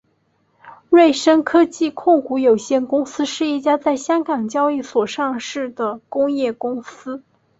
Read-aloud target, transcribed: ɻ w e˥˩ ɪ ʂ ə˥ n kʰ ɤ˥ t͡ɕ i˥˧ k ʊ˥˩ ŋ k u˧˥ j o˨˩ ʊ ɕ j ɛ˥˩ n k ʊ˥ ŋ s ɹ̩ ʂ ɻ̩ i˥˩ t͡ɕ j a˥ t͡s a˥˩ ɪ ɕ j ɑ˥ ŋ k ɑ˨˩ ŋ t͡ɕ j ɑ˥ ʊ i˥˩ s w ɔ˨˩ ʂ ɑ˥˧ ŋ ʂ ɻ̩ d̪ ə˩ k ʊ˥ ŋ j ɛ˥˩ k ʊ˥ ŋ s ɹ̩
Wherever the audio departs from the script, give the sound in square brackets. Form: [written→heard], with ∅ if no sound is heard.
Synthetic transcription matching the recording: ɻ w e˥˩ ɪ ʂ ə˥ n kʰ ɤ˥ t͡ɕ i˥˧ [k→kʰ] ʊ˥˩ ŋ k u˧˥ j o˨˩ ʊ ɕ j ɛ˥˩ n k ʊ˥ ŋ s ɹ̩ ʂ ɻ̩ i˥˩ t͡ɕ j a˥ t͡s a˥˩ ɪ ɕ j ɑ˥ ŋ k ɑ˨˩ ŋ t͡ɕ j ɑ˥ ʊ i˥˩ s w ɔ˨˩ ʂ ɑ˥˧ ŋ ʂ ɻ̩ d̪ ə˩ k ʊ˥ ŋ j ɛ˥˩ k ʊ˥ ŋ s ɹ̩